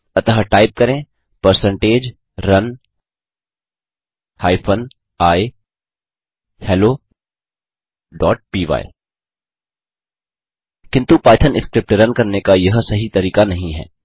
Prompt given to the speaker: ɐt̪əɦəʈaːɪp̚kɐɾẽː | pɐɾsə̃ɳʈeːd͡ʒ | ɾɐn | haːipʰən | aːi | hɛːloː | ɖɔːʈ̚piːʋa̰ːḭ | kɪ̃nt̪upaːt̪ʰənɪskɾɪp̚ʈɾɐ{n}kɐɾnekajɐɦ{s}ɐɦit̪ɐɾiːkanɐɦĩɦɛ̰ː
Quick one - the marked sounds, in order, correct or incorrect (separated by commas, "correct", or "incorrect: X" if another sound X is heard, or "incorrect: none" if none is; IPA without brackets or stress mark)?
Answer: correct, correct